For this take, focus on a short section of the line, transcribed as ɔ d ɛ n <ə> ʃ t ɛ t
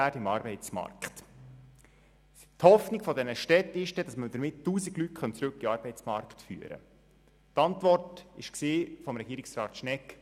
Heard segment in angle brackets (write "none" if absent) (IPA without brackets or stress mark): ə